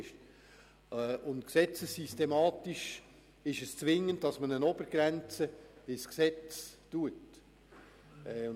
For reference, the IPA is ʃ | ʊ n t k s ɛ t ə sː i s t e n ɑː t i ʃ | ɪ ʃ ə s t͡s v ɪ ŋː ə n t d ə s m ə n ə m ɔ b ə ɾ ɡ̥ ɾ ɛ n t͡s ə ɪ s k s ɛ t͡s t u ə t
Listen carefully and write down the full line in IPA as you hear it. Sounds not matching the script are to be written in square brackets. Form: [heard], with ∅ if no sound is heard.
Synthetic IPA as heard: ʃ | ʊ n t k s ɛ [t͡s] ə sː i s t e [m] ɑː t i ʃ | ɪ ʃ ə s t͡s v ɪ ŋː ə n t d [ɑ] s m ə n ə [n] ɔ b ə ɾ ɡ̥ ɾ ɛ n t͡s ə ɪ s k s ɛ t͡s t u ə t